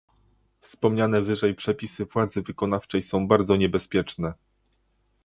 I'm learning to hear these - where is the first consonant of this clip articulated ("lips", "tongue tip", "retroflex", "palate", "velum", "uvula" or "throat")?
lips